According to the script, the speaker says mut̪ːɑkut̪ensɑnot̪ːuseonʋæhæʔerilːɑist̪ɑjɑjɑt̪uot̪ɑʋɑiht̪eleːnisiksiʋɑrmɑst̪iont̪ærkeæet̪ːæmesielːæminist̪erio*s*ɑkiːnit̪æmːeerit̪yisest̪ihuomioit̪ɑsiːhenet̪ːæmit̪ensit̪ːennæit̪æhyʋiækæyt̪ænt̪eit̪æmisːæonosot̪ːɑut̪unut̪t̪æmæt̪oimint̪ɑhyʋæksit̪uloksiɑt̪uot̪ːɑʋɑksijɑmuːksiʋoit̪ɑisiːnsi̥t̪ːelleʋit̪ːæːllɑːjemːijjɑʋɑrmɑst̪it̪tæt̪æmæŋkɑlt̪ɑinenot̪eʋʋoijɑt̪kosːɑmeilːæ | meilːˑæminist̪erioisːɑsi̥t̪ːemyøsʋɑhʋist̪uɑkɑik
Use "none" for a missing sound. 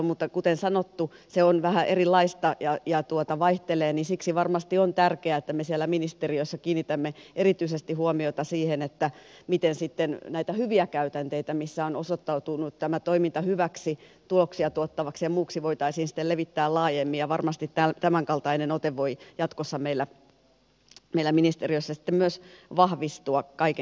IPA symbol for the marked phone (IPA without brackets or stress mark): sː